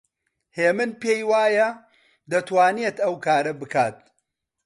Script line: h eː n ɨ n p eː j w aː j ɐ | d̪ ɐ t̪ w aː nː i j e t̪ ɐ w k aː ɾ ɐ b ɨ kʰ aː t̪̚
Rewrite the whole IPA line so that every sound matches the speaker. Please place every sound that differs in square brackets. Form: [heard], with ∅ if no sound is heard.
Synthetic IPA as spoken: h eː [m] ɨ n p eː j w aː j ɐ | d̪ ɐ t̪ w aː [n] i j e t̪ ɐ w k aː ɾ ɐ b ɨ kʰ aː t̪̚